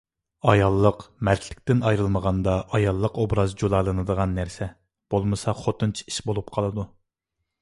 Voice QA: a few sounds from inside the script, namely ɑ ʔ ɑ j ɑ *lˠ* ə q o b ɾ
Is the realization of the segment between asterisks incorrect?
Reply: yes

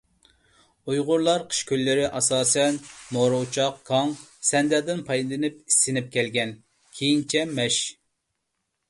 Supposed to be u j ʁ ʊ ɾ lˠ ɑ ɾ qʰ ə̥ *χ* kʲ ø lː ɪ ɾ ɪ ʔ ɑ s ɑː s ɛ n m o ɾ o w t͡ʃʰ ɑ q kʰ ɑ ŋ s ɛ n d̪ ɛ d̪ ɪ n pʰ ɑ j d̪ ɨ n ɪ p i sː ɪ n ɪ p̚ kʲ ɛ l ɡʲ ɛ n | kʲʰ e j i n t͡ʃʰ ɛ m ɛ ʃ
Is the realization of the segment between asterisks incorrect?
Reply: yes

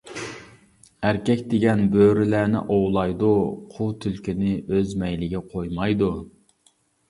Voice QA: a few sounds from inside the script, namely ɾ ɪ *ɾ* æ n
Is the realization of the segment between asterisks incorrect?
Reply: yes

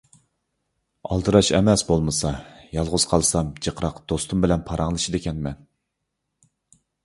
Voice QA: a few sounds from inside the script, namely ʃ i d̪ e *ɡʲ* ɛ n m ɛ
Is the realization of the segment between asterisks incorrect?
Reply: yes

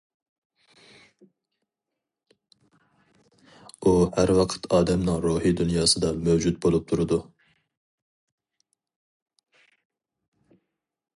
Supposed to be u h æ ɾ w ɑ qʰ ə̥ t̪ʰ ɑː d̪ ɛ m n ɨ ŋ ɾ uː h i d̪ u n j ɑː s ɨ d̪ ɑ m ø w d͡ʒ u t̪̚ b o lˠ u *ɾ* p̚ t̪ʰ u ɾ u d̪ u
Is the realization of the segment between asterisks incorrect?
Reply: yes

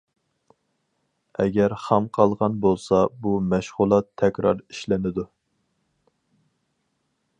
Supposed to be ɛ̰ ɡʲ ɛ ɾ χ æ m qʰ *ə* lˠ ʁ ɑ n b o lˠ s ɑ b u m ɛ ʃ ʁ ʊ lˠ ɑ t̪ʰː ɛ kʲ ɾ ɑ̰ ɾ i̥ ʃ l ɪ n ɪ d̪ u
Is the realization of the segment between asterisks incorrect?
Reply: yes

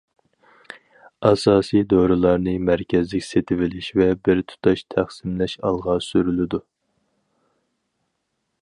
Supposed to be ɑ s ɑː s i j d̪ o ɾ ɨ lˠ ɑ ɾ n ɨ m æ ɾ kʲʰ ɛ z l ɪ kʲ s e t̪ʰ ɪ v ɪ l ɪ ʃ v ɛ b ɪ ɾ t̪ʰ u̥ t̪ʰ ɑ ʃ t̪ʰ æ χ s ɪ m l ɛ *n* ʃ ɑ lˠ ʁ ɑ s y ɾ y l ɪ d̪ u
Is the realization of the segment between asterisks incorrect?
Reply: yes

